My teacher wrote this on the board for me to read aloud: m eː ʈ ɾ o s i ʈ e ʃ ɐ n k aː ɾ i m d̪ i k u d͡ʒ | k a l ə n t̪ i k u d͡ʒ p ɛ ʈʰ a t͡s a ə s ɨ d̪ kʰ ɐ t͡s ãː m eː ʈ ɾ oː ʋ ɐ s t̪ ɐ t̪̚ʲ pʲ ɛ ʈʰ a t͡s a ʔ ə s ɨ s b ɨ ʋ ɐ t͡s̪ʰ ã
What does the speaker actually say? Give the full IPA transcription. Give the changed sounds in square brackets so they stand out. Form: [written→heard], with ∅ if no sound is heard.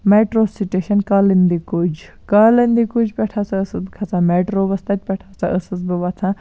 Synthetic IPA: m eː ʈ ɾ o s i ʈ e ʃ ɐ n k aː [ɾ→l] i [m→n] d̪ i k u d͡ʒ | k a l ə n [t̪→d̪] i k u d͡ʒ p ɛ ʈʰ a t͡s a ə s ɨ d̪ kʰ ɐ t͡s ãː m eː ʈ ɾ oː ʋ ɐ s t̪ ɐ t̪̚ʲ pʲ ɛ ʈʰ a t͡s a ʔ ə s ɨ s b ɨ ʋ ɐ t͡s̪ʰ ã